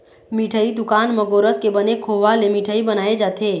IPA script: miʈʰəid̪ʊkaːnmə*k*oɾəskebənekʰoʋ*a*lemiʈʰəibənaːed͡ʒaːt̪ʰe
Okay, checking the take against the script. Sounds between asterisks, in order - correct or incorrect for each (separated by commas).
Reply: incorrect, correct